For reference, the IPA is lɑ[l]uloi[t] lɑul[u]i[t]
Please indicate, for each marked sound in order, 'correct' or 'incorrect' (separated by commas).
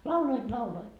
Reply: incorrect, correct, incorrect, correct